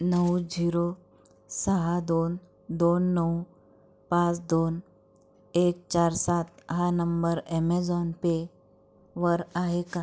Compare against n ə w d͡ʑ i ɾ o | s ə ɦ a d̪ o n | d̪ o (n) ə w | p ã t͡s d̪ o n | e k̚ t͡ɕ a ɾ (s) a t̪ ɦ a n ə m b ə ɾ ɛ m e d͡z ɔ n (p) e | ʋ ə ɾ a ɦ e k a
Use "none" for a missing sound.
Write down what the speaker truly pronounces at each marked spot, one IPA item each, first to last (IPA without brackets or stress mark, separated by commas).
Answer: nː, s, p